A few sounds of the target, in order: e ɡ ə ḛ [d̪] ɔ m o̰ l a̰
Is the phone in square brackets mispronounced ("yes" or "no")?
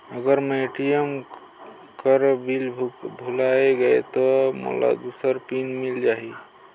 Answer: yes